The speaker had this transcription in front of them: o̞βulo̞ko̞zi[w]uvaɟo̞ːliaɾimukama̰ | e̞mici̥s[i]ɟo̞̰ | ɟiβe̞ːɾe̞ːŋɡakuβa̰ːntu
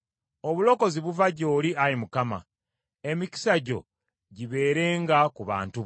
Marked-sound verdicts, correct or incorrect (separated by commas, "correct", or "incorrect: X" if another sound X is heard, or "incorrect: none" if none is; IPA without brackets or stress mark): incorrect: β, incorrect: a